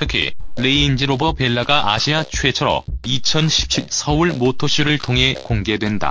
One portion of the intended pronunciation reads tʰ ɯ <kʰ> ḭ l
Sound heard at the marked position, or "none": kʰ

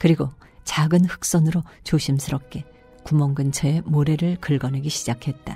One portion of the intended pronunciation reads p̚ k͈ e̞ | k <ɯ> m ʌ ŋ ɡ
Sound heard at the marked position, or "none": u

